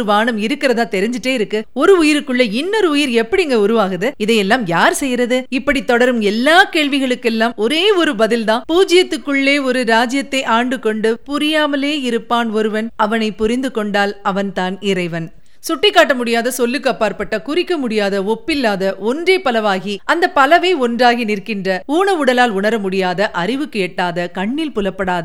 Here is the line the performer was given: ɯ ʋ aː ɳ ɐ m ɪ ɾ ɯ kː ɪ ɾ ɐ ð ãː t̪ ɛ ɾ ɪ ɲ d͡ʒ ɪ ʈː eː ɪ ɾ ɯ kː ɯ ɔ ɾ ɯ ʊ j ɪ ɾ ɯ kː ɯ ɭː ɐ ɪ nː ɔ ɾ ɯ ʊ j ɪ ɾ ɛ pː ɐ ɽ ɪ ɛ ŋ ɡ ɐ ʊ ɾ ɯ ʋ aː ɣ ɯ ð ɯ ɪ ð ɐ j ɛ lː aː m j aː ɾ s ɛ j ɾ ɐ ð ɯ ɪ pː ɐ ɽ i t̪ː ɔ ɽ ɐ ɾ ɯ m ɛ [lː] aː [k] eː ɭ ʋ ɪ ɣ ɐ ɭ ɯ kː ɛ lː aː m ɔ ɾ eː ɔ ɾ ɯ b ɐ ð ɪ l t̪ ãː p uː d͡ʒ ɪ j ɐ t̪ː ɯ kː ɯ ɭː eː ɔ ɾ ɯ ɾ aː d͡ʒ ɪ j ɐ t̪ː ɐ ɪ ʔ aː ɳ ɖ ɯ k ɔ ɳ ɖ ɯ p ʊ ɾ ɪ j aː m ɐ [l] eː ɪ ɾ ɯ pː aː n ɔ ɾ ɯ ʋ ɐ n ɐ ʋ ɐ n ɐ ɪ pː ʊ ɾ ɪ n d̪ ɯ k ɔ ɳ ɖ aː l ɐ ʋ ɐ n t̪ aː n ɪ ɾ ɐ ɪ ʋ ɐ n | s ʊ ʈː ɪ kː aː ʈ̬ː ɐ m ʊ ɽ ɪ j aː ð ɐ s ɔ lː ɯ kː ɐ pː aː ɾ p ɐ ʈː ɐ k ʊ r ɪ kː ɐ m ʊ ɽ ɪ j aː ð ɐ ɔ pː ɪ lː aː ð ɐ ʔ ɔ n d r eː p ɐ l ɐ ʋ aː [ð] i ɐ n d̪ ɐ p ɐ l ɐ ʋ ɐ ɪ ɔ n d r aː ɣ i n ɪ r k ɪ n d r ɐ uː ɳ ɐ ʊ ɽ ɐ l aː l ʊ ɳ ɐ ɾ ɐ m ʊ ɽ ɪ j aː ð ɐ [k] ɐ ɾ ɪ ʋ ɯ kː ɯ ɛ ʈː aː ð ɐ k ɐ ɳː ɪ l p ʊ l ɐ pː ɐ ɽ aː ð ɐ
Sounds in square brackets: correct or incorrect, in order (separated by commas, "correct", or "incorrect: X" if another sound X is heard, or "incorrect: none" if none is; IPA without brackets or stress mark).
correct, correct, correct, incorrect: ɣ, incorrect: ʔ